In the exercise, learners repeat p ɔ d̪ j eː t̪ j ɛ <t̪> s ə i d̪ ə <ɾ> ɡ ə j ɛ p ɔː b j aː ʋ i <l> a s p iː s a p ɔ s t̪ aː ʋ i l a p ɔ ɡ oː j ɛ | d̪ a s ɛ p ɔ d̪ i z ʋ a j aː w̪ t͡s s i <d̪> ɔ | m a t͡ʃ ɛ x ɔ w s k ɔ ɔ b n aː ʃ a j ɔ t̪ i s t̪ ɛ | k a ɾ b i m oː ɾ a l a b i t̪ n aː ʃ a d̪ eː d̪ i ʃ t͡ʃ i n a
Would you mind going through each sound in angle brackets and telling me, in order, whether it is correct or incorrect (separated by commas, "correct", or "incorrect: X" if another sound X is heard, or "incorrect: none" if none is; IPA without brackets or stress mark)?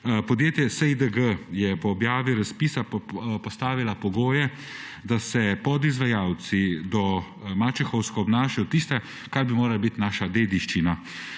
incorrect: none, incorrect: none, incorrect: ɾ, correct